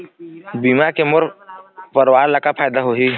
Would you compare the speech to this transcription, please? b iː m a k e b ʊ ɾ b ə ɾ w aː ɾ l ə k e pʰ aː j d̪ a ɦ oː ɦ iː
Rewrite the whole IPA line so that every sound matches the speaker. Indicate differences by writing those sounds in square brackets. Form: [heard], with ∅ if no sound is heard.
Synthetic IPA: b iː m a k e [m] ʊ ɾ [p] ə ɾ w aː ɾ l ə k [a] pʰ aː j d̪ a ɦ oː ɦ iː